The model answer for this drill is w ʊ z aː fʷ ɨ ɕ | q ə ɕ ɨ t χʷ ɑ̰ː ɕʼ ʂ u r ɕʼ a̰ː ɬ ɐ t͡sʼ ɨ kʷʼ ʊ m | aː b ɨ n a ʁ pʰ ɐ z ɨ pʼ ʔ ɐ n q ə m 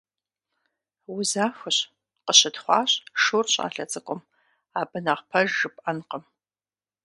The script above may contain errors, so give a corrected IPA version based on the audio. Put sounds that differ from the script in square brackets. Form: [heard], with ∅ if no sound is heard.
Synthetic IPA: w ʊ z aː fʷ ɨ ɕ | q ə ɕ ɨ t χʷ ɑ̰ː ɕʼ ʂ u r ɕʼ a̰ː ɬ ɐ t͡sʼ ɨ kʷʼ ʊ m | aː b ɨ n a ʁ pʰ ɐ [ʒ] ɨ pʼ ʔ ɐ n q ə m